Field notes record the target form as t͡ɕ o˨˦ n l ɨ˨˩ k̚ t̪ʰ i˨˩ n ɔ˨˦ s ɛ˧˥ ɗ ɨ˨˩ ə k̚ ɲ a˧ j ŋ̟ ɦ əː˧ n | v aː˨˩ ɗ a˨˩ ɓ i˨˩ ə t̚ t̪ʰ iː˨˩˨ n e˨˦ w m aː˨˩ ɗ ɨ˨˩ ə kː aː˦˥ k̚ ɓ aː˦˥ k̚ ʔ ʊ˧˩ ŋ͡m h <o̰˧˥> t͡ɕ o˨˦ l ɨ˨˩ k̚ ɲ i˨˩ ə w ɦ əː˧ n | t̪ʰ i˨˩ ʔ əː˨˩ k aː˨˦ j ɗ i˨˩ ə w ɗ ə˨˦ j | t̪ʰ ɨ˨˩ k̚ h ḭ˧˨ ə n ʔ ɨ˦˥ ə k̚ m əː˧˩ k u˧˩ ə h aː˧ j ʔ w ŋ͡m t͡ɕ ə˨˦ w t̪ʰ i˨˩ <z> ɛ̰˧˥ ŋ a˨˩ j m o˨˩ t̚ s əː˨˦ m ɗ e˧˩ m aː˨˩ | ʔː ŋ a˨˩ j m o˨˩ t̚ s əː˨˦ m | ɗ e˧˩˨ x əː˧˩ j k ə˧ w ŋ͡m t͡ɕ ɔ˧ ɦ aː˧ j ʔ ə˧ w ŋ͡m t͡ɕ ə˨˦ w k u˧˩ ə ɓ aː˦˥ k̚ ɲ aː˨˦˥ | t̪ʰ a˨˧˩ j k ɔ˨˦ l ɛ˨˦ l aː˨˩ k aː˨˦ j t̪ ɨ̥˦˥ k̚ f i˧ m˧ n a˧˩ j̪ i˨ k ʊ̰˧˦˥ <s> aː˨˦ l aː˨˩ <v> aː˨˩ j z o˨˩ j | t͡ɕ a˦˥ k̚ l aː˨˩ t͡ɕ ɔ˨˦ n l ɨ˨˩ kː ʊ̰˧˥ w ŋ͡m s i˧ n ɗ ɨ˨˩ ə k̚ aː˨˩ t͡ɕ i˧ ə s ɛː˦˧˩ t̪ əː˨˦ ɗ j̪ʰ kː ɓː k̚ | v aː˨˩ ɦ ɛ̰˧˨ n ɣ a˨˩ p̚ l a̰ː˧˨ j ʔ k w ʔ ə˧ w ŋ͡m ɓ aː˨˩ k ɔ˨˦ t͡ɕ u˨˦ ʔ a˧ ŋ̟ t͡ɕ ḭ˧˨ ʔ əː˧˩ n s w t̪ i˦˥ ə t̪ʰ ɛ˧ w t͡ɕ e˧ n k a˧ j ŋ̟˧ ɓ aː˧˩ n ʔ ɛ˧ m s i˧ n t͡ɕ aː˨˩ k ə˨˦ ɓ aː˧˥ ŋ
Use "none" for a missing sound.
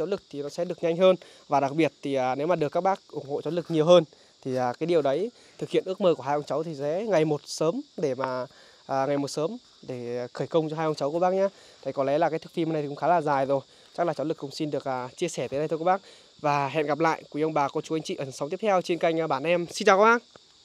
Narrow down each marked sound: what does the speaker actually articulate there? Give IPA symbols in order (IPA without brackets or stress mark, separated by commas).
o̰˧˨, z, x, z